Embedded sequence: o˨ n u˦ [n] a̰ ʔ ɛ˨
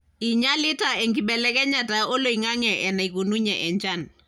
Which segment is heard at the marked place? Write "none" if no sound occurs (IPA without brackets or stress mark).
ɲ